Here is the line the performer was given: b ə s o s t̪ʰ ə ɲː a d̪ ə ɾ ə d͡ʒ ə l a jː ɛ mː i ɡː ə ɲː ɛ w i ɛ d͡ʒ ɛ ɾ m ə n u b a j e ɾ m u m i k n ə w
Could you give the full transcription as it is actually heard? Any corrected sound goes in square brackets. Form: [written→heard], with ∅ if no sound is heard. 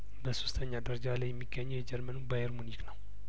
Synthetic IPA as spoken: b ə s o s t̪ʰ ə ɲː a d̪ ə ɾ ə d͡ʒ [ə→a] l a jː ɛ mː i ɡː ə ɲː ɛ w [i→j] ɛ d͡ʒ ɛ ɾ m ə n u b a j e ɾ m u [m→n] i k n ə w